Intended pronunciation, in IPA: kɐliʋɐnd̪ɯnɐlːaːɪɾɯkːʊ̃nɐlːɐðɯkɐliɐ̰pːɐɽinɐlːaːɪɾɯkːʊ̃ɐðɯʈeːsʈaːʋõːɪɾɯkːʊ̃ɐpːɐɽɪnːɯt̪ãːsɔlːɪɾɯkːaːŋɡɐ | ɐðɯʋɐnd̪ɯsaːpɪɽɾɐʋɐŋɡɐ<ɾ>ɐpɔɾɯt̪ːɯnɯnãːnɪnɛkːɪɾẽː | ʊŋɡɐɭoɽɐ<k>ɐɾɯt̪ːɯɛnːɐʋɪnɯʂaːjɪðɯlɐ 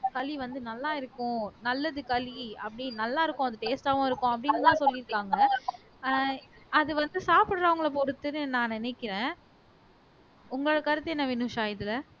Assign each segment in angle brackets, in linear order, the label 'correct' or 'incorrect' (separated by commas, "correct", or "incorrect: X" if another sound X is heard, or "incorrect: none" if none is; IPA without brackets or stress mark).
incorrect: ɭ, correct